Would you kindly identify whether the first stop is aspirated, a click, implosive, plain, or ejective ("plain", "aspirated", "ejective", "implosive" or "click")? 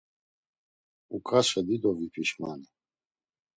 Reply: ejective